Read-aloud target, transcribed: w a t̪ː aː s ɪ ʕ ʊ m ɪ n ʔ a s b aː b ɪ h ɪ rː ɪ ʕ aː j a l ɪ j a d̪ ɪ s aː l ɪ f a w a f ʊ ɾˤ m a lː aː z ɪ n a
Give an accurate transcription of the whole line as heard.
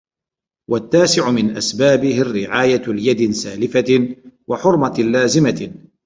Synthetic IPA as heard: w a t̪ː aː s ɪ ʕ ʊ m ɪ n ʔ a s b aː b ɪ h ɪ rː ɪ ʕ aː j a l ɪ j a d̪ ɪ s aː l ɪ f a w a ħ ʊ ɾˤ m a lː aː z ɪ m a